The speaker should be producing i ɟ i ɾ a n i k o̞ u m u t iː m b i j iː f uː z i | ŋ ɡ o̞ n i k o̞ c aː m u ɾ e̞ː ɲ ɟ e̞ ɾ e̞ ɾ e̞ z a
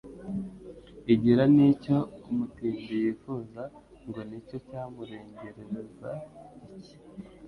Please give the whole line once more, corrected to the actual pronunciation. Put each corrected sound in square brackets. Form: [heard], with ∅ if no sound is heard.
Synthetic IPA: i ɟ i ɾ a n i [c] o̞ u m u t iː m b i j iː f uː z [a] | ŋ ɡ o̞ n i [c] o̞ c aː m u ɾ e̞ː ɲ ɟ e̞ ɾ e̞ ɾ e̞ z a

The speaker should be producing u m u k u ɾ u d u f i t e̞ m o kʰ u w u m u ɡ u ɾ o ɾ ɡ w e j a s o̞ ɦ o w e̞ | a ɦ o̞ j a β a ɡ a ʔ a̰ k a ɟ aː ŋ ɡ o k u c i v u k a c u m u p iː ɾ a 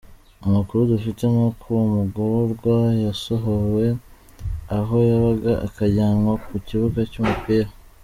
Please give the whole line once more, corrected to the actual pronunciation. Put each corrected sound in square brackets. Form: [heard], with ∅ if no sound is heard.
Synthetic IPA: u m u k u ɾ u d u f i t e̞ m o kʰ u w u m u ɡ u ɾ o ɾ ɡ w [a] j a s o̞ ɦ o w e̞ | a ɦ o̞ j a β a ɡ a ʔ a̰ k a ɟ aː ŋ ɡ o k u c i [β] u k a c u m u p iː ɾ a

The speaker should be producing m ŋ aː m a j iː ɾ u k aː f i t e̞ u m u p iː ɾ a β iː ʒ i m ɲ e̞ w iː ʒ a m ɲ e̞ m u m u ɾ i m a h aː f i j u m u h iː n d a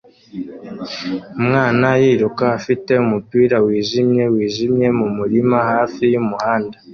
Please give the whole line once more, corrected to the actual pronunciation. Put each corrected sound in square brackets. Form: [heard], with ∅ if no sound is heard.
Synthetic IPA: m ŋ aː [n] a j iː ɾ u k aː f i t e̞ u m u p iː ɾ a [w] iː ʒ i m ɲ e̞ w iː ʒ [i] m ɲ e̞ m u m u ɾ i m a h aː f i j u m u h [aː] n d a

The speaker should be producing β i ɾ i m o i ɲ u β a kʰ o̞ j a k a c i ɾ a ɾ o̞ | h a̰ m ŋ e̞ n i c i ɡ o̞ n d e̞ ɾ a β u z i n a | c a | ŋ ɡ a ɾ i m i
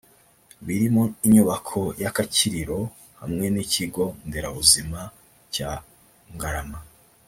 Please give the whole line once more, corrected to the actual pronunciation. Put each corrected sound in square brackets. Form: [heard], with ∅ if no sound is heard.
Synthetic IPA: β i ɾ i m o i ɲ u β a kʰ o̞ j a k a c i ɾ [i] ɾ o̞ | h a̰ m ŋ e̞ n i c i ɡ o̞ n d e̞ ɾ a β u z i [m] a | c a | ŋ ɡ a ɾ [a] m [a]

